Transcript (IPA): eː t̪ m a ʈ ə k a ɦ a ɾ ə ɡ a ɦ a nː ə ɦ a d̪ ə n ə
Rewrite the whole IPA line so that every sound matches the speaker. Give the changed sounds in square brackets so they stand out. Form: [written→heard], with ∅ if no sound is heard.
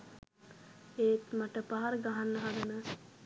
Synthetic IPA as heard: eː t̪ m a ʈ ə [k→p] a ɦ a ɾ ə ɡ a ɦ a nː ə ɦ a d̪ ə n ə